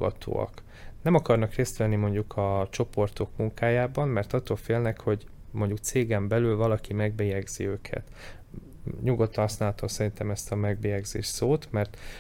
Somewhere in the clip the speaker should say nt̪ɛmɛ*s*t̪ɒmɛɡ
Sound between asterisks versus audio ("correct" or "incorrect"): correct